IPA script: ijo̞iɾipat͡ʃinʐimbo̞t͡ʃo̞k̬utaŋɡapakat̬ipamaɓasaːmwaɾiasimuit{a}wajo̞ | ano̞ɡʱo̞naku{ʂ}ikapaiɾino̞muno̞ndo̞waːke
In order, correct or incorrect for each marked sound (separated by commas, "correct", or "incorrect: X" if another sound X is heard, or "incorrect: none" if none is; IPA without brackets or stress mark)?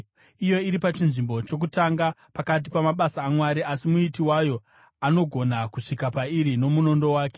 incorrect: i, correct